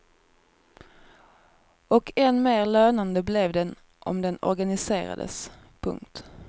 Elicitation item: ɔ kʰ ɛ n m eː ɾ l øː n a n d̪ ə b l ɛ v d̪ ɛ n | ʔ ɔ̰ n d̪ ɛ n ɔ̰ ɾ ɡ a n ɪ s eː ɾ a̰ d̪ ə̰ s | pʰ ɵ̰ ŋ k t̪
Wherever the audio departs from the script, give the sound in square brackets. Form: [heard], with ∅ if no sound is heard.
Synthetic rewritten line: ɔ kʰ ɛ n m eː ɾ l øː n a n d̪ ə b l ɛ v d̪ ɛ n | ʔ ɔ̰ [m] d̪ ɛ n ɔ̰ ɾ ɡ a n ɪ s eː ɾ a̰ d̪ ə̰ s | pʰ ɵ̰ ŋ k t̪